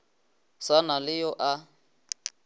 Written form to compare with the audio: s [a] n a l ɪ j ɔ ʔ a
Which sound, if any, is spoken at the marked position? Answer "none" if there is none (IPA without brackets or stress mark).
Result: a